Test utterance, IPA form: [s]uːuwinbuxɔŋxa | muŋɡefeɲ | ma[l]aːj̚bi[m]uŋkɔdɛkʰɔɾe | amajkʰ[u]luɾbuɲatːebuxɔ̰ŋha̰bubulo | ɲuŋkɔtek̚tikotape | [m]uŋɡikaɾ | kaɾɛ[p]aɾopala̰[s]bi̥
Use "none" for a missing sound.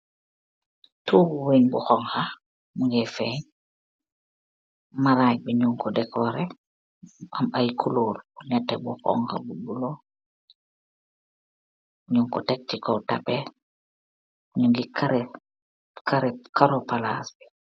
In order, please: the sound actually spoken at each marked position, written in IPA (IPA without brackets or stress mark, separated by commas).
t, ɾ, ɲ, u, ɲ, k, s